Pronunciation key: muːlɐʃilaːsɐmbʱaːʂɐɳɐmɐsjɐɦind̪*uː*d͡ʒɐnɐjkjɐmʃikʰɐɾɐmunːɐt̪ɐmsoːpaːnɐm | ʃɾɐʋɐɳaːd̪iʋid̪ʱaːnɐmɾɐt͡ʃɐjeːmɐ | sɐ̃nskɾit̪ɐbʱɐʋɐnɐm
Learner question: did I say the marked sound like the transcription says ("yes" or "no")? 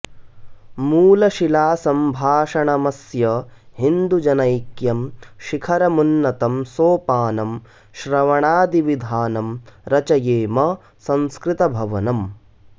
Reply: no